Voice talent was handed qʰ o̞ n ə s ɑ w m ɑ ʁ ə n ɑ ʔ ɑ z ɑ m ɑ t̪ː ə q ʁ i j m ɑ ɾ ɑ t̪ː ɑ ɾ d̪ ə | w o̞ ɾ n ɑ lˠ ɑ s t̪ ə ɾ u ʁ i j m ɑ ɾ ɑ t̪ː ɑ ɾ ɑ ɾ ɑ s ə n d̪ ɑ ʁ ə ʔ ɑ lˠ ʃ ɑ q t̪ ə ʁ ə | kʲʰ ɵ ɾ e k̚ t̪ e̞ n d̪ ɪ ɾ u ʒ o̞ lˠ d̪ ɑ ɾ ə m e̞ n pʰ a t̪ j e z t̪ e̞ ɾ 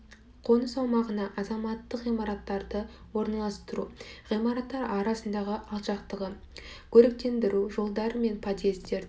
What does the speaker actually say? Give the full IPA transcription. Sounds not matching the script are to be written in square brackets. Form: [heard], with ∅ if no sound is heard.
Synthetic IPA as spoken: qʰ o̞ n ə s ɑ w m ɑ ʁ ə n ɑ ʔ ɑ z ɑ m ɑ t̪ː ə q ʁ i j m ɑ ɾ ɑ t̪ː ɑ ɾ d̪ ə | w o̞ ɾ n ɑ lˠ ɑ s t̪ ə ɾ u ʁ i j m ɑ ɾ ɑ t̪ː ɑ ɾ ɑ ɾ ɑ s ə n d̪ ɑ ʁ ə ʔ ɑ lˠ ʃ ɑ q t̪ ə ʁ ə | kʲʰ ɵ ɾ e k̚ t̪ e̞ n d̪ ɪ ɾ u ʒ o̞ lˠ d̪ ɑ ɾ ə m e̞ n pʰ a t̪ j e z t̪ e̞ ɾ